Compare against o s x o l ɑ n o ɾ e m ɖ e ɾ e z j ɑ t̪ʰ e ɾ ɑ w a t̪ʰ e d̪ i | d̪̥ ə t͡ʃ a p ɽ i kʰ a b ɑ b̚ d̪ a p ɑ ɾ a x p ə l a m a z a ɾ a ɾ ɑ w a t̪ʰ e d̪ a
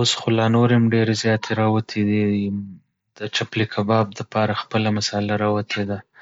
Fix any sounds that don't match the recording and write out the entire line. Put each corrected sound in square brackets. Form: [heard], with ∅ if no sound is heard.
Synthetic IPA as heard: o s x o l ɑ n o ɾ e m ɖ e ɾ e z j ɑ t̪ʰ e ɾ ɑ w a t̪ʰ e d̪ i | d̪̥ ə t͡ʃ a p [l] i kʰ a b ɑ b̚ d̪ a p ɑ ɾ a x p ə l a m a [s] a [l] a ɾ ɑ w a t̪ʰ e d̪ a